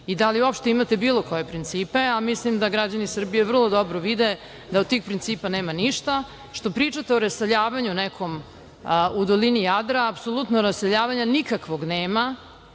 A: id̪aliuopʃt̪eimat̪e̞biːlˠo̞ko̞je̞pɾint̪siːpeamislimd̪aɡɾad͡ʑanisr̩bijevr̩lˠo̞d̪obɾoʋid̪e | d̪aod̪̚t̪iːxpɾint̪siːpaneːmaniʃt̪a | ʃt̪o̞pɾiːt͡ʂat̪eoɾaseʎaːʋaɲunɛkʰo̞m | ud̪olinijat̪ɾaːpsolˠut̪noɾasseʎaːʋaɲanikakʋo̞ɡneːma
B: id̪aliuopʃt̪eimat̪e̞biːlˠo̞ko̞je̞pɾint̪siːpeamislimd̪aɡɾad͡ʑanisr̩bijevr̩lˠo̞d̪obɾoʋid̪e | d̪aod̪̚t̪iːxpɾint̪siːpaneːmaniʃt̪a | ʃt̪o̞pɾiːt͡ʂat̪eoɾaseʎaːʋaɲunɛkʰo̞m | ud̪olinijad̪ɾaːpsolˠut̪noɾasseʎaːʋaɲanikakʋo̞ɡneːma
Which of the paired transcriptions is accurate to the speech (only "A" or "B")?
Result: B